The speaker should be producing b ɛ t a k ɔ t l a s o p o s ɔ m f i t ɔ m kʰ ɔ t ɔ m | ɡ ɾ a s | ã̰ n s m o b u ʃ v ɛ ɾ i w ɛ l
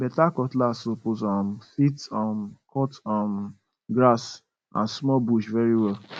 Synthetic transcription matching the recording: b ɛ t a k ɔ t l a s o p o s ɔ m f i t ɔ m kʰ ɔ t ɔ m | ɡ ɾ a s | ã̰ n s m ɔ b u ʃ v ɛ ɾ i w ɛ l